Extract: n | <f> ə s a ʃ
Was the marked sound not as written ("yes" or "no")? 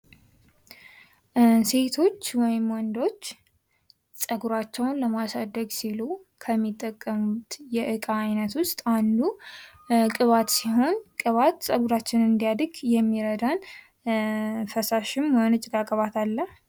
no